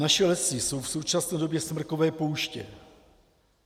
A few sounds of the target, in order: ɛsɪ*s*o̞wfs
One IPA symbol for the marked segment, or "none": s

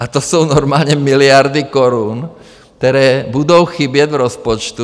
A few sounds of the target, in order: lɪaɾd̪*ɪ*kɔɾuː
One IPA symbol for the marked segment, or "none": i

